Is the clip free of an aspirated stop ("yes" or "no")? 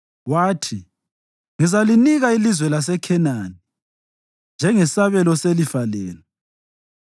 no